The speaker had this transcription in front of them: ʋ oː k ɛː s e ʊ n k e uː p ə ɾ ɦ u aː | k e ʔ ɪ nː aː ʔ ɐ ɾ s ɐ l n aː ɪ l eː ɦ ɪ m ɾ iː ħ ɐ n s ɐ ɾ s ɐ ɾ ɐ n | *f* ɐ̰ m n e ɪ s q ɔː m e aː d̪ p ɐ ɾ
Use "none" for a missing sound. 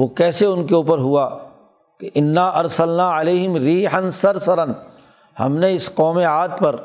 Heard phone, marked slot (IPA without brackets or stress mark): h